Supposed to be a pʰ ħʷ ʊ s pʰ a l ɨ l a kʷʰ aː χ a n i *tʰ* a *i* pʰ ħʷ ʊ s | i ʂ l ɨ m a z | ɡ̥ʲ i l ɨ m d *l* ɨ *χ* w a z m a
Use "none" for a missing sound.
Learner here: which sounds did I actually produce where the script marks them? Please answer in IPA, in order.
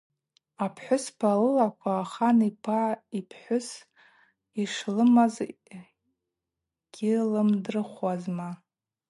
pʰ, i, r, χ

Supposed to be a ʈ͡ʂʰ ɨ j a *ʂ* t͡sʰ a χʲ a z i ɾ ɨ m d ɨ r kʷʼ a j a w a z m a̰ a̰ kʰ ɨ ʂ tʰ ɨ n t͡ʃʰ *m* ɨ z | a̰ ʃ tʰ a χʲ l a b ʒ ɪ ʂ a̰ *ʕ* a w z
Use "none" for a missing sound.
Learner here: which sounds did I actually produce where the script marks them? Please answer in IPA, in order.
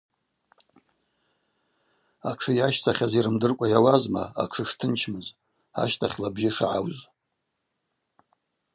ʃ, m, ʕ

